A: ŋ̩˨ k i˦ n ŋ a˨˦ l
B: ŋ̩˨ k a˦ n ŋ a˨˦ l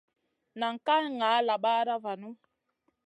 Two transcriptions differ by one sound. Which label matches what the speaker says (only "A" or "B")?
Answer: B